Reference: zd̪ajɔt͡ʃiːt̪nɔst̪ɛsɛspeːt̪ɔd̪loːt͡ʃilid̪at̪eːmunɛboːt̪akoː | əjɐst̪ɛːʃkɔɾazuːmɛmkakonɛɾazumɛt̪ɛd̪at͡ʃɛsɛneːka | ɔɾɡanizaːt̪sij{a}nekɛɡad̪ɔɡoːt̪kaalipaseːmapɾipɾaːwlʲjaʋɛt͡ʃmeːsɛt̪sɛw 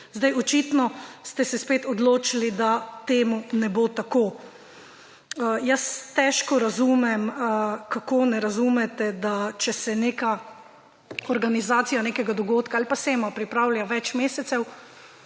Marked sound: correct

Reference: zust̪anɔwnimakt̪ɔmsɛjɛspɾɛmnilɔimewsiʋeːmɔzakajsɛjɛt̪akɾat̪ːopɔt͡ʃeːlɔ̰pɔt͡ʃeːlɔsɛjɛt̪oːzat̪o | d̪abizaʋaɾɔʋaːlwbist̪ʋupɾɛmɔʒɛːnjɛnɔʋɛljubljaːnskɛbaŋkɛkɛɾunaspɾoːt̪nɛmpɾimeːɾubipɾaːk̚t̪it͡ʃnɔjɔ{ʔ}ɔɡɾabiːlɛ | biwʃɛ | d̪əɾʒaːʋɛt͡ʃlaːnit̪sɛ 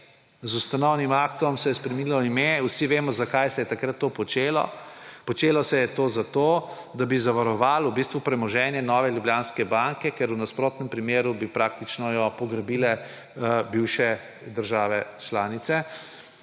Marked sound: incorrect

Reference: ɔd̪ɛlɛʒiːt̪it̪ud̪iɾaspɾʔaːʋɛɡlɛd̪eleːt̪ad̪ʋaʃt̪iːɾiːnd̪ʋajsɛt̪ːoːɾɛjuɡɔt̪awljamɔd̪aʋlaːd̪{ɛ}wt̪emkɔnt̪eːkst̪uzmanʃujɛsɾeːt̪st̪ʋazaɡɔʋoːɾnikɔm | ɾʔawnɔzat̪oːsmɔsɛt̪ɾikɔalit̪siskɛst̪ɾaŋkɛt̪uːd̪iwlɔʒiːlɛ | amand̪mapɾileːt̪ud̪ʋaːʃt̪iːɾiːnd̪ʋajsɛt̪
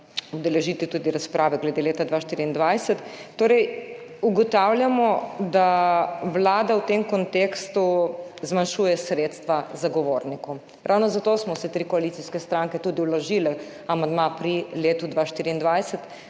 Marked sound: incorrect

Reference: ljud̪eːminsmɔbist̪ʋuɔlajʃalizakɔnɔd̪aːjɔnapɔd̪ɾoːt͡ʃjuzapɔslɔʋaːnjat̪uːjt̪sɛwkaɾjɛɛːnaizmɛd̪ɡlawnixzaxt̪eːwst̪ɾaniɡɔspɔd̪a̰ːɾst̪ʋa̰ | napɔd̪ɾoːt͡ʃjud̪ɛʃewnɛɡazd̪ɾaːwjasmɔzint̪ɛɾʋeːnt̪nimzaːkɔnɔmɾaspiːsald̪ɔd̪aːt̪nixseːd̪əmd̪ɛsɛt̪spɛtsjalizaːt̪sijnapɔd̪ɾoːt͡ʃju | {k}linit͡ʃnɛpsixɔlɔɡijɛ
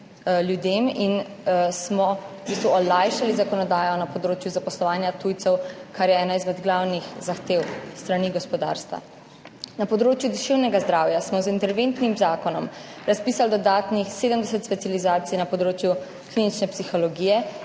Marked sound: correct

